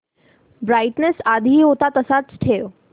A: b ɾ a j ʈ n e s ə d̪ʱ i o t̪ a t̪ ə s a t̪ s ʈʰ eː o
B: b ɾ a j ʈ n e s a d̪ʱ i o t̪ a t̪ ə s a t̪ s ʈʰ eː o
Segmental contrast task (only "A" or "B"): B